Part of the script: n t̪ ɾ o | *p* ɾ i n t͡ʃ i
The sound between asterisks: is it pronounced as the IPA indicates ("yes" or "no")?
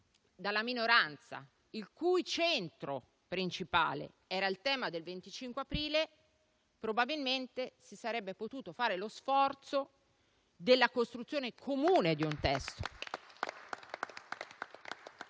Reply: yes